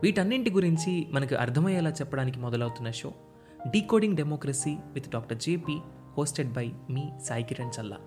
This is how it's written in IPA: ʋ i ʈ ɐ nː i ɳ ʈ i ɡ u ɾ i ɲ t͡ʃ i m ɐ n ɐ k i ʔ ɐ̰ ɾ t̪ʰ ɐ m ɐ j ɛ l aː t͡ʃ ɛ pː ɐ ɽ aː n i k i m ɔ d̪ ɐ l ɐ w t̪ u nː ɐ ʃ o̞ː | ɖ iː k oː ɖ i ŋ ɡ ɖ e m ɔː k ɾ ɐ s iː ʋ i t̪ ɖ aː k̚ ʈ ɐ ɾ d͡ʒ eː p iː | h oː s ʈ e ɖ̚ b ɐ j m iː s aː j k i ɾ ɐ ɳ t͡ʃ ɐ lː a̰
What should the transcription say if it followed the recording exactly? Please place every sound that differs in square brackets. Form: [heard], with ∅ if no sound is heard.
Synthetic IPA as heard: ʋ [iː] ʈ ɐ nː i ɳ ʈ i ɡ u ɾ i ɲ t͡ʃ i m ɐ n ɐ k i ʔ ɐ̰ ɾ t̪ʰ ɐ m ɐ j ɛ l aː t͡ʃ ɛ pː ɐ ɽ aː n i k i m ɔ d̪ ɐ l ɐ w t̪ u nː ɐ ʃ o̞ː | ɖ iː k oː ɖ i ŋ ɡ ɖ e m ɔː k ɾ ɐ s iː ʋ i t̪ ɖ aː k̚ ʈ ɐ ɾ d͡ʒ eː p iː | h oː s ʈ e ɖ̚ b ɐ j m iː s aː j k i ɾ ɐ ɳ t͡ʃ ɐ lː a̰